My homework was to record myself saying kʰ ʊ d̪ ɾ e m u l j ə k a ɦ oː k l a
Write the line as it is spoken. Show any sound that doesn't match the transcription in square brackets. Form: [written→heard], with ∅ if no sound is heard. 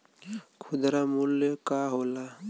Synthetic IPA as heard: kʰ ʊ d̪ ɾ [e→a] m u l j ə k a ɦ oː [k→∅] l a